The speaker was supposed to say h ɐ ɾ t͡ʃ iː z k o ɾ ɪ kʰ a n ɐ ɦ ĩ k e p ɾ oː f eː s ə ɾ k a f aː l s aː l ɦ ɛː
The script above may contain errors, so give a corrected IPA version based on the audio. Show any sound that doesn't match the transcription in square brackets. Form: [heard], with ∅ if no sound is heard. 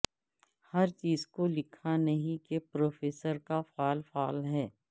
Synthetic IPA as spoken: h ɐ ɾ t͡ʃ iː z k o [l] ɪ kʰ a n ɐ ɦ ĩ k e p ɾ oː f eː s ə ɾ k a f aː l [f] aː l ɦ ɛː